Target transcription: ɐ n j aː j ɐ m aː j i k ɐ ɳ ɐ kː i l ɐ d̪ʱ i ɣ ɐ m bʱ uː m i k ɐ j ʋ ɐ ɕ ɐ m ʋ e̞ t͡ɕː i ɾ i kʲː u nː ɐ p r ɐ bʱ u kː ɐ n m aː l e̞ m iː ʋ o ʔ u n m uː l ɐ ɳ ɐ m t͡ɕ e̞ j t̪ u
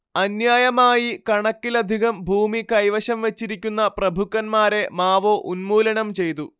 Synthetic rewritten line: ɐ n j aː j ɐ m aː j i k ɐ ɳ ɐ kː i l ɐ d̪ʱ i ɣ ɐ m bʱ uː m i k ɐ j ʋ ɐ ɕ ɐ m ʋ e̞ t͡ɕː i ɾ i kʲː u nː ɐ p r ɐ bʱ u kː ɐ n m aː ɾ e̞ m aː ʋ o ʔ u n m uː l ɐ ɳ ɐ m t͡ɕ e̞ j t̪ u